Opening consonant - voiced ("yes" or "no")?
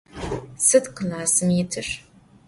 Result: no